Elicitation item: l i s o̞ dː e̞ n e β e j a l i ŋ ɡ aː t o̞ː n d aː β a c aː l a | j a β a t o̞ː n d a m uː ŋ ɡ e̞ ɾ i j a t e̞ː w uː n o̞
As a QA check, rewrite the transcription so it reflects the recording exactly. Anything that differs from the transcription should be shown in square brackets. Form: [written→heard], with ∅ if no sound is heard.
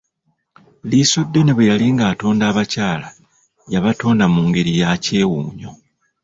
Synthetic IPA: l i s o̞ dː e̞ n e β e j a l i ŋ ɡ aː t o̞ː n d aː β a c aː l a | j a β a t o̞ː n d a m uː ŋ ɡ e̞ ɾ i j a [t→c] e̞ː w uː [n→ɲ] o̞